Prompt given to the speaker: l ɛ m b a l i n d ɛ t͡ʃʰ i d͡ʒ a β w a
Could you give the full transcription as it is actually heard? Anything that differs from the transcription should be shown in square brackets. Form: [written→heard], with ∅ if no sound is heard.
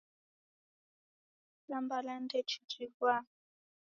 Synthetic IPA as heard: l [ɛ→a] m b a l [i→a] n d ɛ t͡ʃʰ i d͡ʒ [a→i] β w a